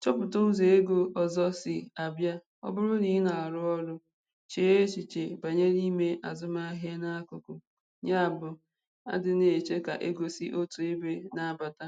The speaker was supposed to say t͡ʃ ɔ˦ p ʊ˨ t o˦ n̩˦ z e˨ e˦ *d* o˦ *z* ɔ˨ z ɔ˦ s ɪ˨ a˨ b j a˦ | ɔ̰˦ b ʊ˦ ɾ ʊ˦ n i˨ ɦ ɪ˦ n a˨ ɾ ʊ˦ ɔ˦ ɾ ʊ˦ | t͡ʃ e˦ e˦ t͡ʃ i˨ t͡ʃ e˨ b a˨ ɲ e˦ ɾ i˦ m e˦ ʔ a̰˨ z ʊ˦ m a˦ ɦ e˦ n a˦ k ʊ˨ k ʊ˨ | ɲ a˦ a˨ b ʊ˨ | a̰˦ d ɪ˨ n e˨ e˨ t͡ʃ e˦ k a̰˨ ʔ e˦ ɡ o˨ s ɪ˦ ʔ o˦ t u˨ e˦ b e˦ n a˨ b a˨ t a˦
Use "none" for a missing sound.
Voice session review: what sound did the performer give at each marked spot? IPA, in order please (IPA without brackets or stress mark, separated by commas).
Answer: ɡ, none